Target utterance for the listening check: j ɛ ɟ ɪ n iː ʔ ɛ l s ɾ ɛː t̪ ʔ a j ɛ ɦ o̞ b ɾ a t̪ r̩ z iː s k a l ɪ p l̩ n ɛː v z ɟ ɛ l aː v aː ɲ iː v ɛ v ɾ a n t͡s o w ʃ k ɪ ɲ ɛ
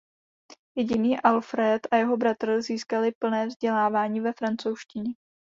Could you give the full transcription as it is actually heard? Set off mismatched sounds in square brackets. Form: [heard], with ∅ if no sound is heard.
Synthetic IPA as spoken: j ɛ ɟ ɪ n iː ʔ [a] l [f] ɾ ɛː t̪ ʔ a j ɛ ɦ o̞ b ɾ a t̪ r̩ z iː s k a l ɪ p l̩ n ɛː v z ɟ ɛ l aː v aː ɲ iː v ɛ [f] ɾ a n t͡s o w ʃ [c] ɪ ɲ ɛ